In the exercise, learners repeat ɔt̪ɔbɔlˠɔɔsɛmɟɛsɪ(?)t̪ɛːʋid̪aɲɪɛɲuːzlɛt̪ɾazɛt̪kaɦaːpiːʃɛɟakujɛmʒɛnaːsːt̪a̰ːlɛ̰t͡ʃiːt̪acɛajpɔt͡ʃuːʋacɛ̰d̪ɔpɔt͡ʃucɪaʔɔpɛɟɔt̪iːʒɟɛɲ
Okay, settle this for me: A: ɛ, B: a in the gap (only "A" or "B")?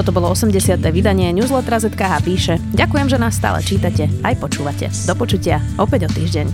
B